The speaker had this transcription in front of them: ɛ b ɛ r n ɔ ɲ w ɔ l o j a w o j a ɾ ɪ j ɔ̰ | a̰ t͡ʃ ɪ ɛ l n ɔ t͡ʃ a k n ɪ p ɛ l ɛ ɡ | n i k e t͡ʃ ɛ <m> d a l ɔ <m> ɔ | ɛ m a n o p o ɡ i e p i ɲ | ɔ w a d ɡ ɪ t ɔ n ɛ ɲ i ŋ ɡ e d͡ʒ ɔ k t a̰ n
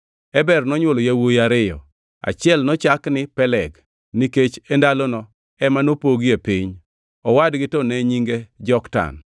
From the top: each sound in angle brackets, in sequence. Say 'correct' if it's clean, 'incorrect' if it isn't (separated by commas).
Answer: incorrect, incorrect